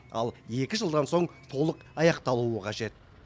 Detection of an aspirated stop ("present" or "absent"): present